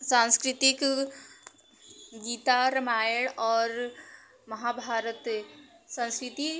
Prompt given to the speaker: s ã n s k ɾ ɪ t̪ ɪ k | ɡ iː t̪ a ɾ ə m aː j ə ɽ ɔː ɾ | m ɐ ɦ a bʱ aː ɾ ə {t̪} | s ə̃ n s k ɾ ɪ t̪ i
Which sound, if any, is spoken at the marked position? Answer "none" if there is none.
t̪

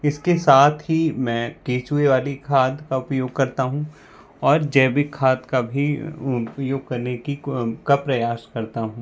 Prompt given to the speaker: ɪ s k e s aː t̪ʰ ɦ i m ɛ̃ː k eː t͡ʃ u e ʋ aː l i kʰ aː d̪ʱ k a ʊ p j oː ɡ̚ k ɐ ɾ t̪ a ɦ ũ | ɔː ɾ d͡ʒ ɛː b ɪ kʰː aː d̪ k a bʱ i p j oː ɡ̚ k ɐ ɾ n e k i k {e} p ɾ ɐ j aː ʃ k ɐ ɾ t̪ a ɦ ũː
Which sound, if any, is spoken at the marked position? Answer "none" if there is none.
a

